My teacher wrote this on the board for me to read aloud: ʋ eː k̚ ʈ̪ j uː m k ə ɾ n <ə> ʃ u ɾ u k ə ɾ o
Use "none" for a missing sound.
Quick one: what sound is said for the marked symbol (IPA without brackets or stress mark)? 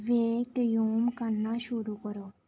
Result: a